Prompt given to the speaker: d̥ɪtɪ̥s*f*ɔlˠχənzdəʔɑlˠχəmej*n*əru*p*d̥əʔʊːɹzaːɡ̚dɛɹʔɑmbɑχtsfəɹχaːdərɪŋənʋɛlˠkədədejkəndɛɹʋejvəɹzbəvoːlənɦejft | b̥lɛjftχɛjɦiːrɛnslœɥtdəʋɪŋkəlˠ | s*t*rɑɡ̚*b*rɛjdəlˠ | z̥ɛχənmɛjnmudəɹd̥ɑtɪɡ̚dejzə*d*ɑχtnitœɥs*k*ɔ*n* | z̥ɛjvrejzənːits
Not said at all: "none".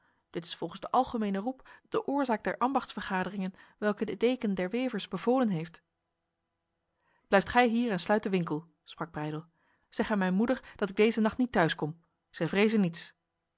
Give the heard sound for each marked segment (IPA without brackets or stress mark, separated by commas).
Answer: f, n, p, p, b, n, k, m